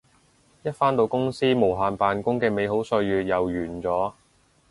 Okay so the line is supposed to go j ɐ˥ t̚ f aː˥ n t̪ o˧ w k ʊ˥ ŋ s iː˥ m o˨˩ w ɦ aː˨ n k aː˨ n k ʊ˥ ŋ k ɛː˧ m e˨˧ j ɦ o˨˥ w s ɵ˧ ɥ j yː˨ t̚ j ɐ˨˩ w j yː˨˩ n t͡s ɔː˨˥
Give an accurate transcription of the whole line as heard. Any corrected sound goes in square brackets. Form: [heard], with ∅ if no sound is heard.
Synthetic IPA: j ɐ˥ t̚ f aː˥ n t̪ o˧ w k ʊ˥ ŋ s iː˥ m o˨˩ w ɦ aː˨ n [p] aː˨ n k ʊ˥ ŋ k ɛː˧ m e˨˧ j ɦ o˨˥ w s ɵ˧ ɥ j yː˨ t̚ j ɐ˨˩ w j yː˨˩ n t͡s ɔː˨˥